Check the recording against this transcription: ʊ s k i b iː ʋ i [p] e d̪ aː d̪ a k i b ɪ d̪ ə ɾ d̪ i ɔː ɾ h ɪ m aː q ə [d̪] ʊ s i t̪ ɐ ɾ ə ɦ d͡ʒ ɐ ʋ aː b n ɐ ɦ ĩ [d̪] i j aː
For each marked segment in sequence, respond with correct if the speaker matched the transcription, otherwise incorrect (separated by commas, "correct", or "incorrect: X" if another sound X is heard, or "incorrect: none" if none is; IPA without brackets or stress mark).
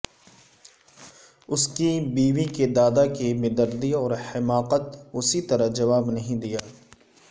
incorrect: k, incorrect: t̪, correct